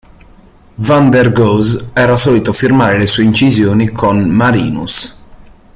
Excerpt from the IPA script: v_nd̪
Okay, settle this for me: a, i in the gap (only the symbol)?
a